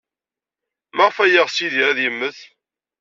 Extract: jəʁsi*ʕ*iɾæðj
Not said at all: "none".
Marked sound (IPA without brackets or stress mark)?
ð